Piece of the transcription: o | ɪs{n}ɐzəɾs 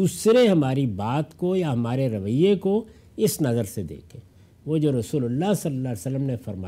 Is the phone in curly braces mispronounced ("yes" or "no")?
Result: no